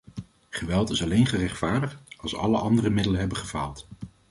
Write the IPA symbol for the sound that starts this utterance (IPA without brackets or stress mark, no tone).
χ